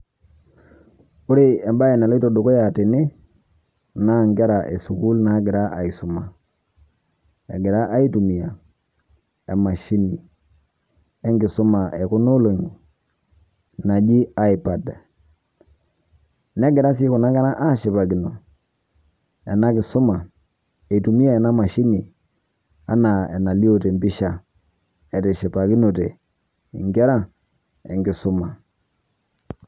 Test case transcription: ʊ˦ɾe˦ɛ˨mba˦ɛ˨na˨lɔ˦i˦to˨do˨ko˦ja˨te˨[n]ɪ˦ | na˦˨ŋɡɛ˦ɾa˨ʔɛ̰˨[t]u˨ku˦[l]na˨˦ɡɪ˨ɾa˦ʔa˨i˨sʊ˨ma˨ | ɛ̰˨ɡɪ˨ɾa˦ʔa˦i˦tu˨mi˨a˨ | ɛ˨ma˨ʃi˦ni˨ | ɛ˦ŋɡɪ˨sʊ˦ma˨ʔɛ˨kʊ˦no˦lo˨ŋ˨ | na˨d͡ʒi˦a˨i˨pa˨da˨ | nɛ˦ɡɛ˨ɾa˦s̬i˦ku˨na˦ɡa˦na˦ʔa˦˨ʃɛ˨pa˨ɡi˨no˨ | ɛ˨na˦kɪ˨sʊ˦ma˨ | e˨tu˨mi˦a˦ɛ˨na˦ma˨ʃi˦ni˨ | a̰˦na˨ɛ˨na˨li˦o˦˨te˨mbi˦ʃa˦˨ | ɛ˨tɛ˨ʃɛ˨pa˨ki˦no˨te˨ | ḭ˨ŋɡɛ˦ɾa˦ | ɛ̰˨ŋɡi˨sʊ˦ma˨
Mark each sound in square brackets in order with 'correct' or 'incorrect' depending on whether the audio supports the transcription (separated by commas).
correct, incorrect, correct